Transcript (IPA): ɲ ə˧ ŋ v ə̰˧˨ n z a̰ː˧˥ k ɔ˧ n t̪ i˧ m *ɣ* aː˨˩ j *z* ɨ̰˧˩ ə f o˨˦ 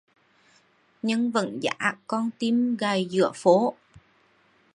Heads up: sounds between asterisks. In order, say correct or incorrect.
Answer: correct, correct

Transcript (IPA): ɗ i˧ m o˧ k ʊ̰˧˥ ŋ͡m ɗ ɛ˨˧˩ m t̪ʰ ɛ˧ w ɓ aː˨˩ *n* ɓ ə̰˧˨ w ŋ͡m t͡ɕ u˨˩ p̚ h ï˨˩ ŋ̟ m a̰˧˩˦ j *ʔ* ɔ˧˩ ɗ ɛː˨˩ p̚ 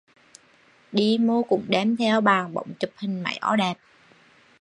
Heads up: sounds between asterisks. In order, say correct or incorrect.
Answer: incorrect: ŋ, correct

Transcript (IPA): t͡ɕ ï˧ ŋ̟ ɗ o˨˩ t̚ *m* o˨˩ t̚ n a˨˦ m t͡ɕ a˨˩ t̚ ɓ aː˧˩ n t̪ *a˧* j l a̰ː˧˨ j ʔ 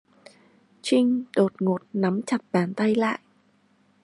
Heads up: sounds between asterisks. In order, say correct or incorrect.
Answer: incorrect: ŋ, correct

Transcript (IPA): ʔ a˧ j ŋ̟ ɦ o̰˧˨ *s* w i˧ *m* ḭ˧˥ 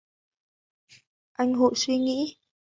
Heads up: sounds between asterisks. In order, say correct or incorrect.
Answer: correct, incorrect: ŋ

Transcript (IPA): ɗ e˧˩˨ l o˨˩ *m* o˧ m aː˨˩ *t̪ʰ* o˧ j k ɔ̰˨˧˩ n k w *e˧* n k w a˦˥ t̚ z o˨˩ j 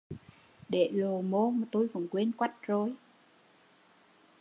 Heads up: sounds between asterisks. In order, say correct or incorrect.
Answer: correct, incorrect: t̪, correct

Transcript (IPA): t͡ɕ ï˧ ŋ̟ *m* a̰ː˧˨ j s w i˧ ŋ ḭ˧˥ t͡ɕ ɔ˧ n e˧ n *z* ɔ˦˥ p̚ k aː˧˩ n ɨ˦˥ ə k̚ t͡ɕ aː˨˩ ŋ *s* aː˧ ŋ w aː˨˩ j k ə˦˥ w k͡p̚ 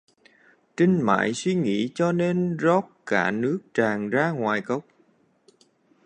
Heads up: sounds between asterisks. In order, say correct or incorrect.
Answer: correct, correct, incorrect: z

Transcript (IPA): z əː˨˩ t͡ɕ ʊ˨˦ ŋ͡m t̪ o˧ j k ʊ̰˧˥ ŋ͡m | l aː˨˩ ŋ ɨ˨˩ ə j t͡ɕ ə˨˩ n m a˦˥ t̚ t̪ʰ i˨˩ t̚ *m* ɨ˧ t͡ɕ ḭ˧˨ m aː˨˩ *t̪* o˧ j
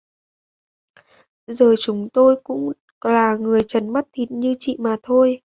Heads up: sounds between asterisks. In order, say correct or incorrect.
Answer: incorrect: ɲ, incorrect: t̪ʰ

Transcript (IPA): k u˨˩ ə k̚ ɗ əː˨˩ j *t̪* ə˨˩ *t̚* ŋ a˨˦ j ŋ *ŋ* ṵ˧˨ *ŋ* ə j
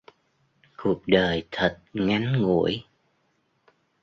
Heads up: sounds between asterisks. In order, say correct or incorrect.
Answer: incorrect: t̪ʰ, correct, correct, incorrect: none

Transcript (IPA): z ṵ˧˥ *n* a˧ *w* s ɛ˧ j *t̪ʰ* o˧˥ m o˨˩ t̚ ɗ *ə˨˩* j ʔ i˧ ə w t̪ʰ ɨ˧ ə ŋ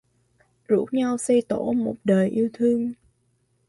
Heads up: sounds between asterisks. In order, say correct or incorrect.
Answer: incorrect: ɲ, correct, incorrect: t̪, incorrect: əː˨˩

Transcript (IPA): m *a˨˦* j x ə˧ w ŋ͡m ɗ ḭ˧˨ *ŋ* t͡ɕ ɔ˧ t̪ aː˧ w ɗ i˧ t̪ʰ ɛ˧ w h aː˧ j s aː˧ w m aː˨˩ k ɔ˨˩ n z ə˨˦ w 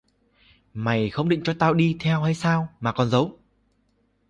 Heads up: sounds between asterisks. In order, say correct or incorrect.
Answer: incorrect: a˨˩, correct

